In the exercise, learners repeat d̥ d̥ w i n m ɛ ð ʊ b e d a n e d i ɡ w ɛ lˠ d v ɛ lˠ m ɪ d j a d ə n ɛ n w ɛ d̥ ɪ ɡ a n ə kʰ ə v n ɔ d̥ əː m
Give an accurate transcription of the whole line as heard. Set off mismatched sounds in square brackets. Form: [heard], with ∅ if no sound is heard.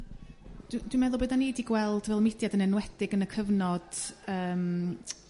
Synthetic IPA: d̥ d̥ w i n m ɛ ð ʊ b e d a n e d i ɡ w ɛ lˠ d v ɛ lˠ m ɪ d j a d ə n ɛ n w ɛ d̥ ɪ ɡ [ə] n ə kʰ ə v n ɔ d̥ əː m